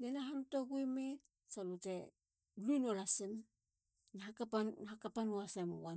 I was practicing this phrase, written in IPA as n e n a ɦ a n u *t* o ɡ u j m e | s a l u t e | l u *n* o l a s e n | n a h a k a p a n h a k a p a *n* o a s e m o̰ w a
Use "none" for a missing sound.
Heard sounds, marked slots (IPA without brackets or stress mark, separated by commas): t, n, n